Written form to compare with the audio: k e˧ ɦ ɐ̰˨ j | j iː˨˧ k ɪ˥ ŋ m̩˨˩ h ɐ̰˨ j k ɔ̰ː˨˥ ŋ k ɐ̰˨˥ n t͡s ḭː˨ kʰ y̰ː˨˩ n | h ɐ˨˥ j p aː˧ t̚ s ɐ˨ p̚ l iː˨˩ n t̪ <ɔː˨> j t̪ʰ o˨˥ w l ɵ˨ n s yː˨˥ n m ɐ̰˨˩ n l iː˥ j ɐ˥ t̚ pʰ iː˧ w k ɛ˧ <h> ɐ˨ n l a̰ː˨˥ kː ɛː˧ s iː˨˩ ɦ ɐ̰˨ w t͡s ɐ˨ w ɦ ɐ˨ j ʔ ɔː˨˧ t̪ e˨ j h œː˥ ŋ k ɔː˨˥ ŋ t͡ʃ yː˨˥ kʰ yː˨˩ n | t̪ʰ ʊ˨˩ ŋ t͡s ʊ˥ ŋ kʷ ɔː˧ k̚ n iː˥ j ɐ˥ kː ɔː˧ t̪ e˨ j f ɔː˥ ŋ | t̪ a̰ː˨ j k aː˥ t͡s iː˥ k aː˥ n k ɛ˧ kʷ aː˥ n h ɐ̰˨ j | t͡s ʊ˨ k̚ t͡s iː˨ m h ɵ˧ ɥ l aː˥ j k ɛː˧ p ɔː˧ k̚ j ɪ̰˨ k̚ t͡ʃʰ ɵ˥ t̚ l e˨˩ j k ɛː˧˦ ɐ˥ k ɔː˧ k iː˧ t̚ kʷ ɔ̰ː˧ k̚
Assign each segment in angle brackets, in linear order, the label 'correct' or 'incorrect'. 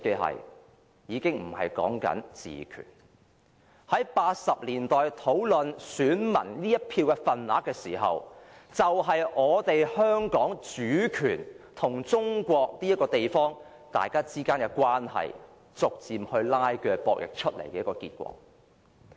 correct, incorrect

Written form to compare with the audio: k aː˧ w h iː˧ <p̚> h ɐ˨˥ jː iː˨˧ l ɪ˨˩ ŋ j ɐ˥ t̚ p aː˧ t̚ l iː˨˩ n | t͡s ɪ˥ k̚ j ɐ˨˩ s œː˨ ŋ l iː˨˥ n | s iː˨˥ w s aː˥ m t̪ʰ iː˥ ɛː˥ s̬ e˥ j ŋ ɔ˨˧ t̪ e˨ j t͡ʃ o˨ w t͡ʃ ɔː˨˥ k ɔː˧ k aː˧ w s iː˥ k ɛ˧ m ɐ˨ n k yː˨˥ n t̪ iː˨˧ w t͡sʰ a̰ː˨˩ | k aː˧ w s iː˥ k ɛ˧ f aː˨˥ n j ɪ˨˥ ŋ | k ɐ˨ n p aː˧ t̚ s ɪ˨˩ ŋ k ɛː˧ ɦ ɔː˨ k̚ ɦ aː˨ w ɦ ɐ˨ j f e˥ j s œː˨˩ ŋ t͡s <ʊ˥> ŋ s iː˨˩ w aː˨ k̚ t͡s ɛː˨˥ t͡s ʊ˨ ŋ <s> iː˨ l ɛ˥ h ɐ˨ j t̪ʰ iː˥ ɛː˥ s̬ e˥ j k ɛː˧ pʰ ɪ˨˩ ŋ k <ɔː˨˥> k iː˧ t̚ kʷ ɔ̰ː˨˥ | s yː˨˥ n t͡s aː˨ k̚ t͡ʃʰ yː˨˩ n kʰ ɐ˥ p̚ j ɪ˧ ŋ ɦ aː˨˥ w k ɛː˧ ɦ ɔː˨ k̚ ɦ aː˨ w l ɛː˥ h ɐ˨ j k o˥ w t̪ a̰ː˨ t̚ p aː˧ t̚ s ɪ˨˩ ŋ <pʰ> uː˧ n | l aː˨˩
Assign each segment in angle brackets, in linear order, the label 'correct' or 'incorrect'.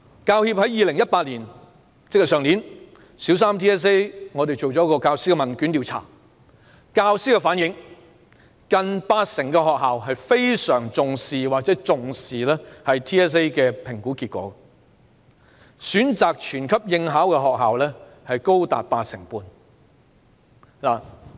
correct, incorrect, correct, incorrect, incorrect

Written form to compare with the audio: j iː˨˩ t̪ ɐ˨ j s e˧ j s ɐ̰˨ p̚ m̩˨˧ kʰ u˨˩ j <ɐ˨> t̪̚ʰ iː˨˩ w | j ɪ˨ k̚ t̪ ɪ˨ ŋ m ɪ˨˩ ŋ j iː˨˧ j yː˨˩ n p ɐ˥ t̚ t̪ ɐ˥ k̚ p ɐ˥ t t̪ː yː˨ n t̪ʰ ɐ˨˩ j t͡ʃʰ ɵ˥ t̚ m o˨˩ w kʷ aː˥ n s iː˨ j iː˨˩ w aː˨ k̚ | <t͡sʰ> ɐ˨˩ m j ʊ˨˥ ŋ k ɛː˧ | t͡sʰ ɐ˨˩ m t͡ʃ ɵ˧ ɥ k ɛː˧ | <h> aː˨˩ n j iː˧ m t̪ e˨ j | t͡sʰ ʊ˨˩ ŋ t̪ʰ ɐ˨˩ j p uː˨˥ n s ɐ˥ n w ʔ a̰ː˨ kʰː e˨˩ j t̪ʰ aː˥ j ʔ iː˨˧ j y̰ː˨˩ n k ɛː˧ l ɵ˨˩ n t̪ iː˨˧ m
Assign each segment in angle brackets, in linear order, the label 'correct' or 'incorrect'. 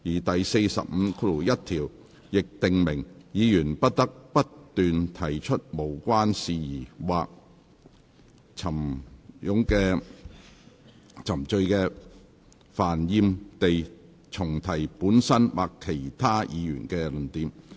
incorrect, correct, incorrect

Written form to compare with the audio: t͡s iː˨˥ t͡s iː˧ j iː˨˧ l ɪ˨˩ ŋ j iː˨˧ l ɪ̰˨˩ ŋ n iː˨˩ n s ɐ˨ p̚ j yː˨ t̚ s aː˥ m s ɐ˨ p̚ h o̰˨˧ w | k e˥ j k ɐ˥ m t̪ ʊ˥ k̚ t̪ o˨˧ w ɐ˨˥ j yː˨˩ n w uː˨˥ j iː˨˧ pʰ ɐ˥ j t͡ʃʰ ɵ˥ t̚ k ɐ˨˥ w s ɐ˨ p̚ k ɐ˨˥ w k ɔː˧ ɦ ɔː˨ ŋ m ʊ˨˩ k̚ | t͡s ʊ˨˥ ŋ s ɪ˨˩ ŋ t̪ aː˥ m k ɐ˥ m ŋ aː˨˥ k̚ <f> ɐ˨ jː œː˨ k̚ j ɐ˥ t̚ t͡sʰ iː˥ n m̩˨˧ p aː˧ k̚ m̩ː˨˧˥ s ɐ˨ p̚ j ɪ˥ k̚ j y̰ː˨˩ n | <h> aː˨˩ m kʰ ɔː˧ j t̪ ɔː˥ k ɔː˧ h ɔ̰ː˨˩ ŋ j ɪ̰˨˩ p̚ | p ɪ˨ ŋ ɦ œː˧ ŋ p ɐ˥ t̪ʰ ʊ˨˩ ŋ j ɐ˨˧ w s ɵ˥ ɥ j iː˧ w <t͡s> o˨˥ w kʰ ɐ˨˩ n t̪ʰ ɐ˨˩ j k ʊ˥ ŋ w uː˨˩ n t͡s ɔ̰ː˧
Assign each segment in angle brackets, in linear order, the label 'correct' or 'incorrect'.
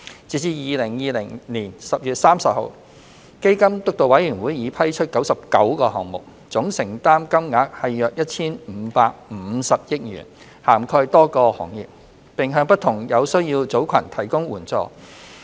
incorrect, correct, correct

